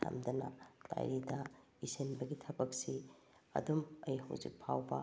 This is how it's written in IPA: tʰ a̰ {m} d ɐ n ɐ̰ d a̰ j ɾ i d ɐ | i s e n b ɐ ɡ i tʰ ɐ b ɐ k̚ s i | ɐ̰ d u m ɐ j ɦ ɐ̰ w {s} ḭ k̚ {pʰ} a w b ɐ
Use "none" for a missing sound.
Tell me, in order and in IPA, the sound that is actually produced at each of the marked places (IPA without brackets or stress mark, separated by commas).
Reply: m, z, pʰ